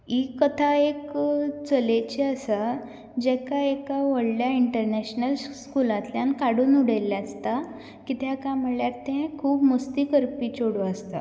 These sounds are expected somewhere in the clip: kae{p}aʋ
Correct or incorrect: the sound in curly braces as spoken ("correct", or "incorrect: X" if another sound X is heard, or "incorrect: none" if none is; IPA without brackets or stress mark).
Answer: incorrect: k